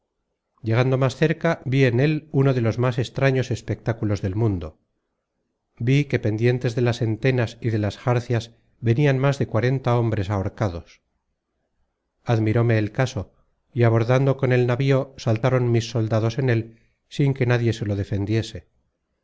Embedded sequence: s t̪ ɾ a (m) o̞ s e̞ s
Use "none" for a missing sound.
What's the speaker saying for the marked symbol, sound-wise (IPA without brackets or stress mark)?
ɲ